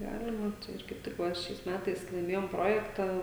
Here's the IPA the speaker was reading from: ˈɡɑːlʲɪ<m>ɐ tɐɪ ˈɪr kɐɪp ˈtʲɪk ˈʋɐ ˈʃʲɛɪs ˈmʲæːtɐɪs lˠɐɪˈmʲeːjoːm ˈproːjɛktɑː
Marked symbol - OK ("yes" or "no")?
yes